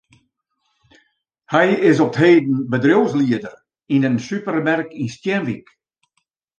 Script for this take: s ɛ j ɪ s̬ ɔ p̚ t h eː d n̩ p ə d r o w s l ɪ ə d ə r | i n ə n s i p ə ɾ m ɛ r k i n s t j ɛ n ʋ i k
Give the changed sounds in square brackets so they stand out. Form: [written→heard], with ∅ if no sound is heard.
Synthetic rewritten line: [s→h] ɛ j ɪ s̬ ɔ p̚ t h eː d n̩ [p→b] ə d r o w s l [ɪ→i] ə d ə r | i n ə n s [i→y] p ə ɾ m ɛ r k i n s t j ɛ n ʋ i k